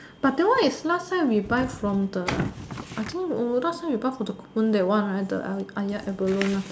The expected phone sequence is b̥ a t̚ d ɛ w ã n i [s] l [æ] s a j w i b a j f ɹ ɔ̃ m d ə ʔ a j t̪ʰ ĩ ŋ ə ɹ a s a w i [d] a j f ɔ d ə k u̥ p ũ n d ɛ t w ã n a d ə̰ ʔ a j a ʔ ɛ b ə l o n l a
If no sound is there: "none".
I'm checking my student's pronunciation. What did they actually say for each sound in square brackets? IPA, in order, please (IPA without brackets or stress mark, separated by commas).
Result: s, a, b